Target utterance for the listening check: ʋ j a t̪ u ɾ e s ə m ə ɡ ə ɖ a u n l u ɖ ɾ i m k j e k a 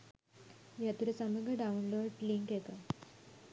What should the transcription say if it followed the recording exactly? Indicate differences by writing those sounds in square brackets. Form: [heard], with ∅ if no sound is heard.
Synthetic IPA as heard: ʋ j a t̪ u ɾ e s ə m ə ɡ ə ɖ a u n l [o] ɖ [l] i [ŋ] k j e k a